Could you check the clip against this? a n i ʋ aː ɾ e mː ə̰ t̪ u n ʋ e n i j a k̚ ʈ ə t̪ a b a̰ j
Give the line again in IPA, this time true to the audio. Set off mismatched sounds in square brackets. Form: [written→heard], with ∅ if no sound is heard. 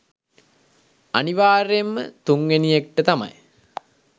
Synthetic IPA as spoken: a n i ʋ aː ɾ e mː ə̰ t̪ u [n→ŋ] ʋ e n i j [a→e] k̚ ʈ ə t̪ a [b→m] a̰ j